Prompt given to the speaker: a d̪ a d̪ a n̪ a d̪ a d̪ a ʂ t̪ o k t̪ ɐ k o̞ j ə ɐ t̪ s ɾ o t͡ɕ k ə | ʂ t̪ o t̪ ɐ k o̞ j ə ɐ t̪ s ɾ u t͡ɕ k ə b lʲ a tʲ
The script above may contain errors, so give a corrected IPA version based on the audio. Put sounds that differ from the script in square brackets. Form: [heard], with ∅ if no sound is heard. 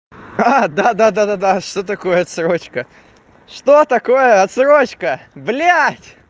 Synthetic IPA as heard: a d̪ a d̪ a [d̪] a d̪ a d̪ a ʂ t̪ o [∅] t̪ ɐ k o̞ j ə ɐ t̪ s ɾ o t͡ɕ k ə | ʂ t̪ o t̪ ɐ k o̞ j ə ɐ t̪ s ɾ [o] t͡ɕ k ə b lʲ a tʲ

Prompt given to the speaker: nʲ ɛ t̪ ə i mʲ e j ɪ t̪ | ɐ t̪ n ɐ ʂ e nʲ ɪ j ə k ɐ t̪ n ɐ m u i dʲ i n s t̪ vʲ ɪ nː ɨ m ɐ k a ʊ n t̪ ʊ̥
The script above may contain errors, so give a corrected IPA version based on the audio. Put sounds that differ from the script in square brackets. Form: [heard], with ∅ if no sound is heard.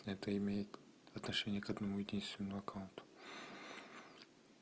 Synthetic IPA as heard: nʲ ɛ t̪ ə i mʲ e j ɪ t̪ | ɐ t̪ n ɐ ʂ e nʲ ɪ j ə k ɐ [d̪] n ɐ m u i dʲ i n s t̪ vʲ ɪ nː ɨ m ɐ k a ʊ n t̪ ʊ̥

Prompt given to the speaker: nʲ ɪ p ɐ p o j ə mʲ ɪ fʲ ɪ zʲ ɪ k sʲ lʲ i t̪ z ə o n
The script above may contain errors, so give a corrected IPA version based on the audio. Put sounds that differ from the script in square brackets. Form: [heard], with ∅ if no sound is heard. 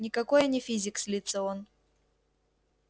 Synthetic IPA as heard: nʲ ɪ [k] ɐ [k] o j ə [nʲ] ɪ fʲ [i] zʲ ɪ k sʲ lʲ i t̪ [s] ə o n

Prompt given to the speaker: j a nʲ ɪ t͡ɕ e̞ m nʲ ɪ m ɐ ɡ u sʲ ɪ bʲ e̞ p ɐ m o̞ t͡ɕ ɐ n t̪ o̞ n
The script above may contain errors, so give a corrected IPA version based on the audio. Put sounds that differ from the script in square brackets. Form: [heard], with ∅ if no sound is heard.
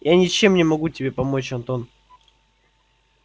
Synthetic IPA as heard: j a nʲ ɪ t͡ɕ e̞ m nʲ ɪ m ɐ ɡ u [tʲ] ɪ bʲ e̞ p ɐ m o̞ t͡ɕ ɐ n t̪ o̞ n

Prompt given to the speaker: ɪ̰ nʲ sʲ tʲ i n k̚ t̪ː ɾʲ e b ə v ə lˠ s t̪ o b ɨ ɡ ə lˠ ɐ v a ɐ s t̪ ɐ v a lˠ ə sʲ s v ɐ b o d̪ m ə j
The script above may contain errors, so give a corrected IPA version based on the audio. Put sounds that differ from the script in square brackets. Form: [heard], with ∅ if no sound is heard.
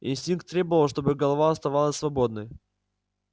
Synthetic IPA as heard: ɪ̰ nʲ sʲ tʲ i n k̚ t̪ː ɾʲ e b ə v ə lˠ [ʂ] t̪ o b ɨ ɡ ə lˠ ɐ v a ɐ s t̪ ɐ v a lˠ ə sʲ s v ɐ b o d̪ [n] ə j

